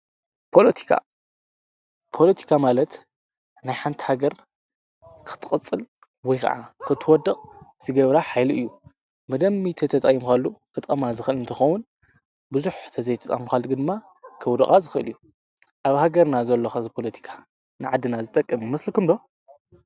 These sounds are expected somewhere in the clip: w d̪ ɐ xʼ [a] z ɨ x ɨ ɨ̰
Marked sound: correct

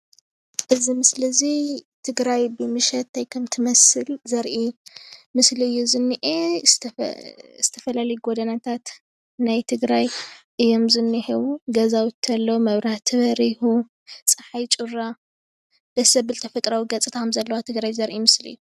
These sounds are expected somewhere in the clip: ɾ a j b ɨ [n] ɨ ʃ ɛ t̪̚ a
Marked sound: incorrect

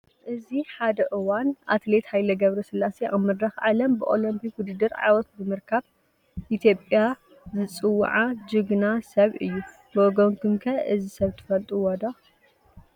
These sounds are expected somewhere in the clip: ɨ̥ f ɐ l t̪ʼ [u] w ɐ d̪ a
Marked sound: correct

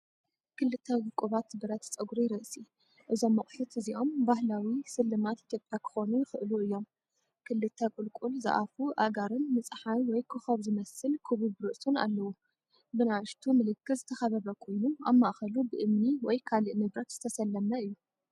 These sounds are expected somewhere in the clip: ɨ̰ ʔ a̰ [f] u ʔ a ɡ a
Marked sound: correct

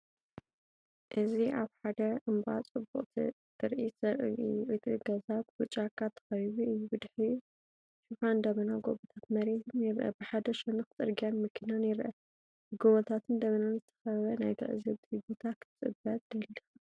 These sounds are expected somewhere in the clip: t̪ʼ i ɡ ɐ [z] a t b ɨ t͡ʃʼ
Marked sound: correct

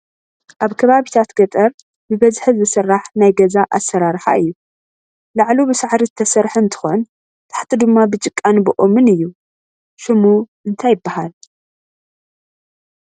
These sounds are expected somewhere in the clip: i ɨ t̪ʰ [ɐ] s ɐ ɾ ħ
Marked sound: correct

